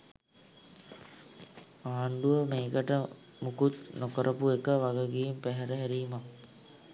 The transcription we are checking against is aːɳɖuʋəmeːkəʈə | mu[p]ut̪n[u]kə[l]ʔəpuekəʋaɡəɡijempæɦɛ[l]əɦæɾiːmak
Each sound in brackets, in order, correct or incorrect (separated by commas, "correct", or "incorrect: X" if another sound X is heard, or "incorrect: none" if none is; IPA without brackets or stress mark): incorrect: k, incorrect: o, incorrect: ɾ, incorrect: ɾ